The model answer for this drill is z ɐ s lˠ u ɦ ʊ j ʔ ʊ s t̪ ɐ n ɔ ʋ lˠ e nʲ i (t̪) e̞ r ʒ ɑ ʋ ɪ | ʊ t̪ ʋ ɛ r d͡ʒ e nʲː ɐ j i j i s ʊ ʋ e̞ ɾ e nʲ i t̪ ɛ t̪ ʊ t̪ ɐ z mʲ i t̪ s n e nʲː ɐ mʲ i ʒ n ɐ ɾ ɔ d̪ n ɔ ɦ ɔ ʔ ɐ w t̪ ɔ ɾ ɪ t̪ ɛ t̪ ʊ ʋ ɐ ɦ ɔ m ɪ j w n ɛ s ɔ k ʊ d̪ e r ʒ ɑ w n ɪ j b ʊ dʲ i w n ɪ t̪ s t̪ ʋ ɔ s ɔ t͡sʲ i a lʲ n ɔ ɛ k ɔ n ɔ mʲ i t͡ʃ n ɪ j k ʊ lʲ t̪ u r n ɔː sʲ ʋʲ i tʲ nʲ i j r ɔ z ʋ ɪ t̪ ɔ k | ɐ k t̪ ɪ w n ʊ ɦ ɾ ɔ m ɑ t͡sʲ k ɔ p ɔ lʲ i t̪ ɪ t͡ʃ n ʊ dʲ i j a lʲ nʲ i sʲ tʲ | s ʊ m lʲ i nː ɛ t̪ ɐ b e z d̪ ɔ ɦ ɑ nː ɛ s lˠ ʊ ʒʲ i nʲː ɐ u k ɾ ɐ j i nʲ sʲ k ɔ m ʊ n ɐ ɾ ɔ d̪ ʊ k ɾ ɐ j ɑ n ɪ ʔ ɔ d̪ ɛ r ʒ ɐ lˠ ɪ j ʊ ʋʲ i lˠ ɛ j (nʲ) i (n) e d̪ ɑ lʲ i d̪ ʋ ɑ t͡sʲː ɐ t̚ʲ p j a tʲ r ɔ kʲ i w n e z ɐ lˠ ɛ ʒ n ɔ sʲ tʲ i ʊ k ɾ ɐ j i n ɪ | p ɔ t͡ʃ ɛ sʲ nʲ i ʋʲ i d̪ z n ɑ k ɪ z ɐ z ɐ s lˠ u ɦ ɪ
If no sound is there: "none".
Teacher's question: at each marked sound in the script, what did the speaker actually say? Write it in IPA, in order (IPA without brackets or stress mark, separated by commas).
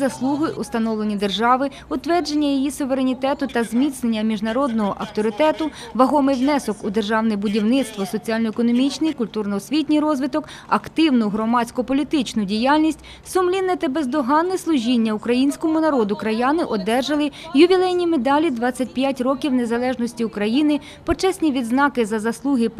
d̪, nʲ, m